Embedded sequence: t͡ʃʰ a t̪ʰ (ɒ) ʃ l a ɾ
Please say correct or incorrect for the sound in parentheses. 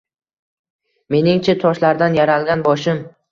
correct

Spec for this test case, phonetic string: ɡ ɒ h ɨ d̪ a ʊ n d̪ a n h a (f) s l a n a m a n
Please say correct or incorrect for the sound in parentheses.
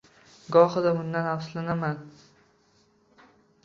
correct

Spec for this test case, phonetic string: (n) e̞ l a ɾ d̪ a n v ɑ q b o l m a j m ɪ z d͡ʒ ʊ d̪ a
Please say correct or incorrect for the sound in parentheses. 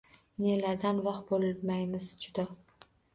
correct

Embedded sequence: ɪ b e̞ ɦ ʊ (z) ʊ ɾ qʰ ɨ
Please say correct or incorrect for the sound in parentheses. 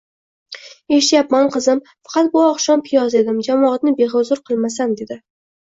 correct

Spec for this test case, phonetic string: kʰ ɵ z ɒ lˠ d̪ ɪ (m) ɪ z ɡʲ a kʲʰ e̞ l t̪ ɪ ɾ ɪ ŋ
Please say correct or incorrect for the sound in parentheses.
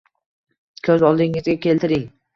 incorrect: ŋ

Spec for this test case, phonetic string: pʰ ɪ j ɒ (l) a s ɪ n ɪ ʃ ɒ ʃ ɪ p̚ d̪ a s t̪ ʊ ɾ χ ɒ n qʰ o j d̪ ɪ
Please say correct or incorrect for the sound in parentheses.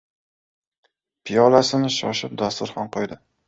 correct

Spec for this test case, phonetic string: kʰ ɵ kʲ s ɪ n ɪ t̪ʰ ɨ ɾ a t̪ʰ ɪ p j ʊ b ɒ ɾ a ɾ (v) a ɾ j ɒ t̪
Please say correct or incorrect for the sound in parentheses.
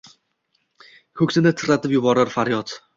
incorrect: f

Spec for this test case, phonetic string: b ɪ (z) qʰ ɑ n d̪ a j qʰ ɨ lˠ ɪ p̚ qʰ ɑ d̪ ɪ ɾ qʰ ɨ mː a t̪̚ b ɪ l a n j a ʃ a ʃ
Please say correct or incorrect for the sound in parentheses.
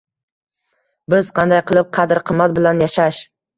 correct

